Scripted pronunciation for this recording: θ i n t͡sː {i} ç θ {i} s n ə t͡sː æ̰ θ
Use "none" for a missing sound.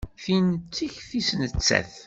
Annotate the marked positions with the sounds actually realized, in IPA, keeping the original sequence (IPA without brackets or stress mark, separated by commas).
i, i